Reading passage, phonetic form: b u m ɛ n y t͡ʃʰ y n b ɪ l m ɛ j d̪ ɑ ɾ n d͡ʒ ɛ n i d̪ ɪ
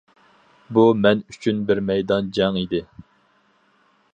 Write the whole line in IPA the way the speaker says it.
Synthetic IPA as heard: b u m ɛ n y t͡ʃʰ y n b ɪ ɾ m ɛ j d̪ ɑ n d͡ʒ ɛ ŋ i d̪ ɪ